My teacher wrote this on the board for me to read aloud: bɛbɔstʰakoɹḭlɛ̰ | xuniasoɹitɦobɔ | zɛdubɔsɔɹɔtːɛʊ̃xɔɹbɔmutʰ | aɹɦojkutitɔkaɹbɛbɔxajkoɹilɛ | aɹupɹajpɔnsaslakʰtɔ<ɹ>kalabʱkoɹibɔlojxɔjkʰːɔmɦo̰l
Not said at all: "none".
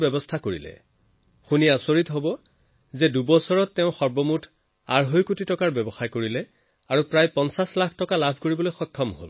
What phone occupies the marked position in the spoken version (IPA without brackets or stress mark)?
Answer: none